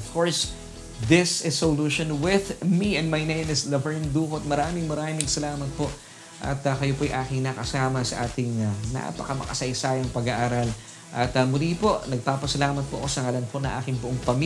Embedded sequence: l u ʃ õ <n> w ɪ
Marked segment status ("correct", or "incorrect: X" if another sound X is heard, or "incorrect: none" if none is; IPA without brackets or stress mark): correct